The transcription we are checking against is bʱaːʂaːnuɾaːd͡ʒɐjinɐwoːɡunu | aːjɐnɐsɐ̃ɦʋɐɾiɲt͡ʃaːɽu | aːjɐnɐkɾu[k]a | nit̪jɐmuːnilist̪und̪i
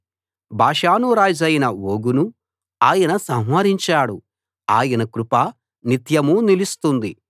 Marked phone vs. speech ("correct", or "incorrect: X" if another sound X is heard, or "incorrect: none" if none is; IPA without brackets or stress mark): incorrect: p